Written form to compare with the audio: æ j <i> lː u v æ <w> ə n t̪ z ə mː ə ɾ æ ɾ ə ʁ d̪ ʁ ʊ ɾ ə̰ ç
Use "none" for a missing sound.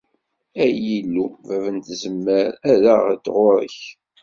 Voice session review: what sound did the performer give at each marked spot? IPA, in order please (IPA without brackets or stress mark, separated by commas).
i, v